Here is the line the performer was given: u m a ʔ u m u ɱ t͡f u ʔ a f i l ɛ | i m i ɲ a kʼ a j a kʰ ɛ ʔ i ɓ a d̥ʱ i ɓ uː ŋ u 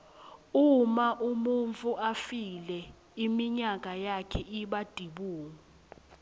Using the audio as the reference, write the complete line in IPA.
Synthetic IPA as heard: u m a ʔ u m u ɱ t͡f u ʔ a f i l ɛ | i m i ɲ a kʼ a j a kʰ ɛ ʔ i ɓ a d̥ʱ i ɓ uː ŋ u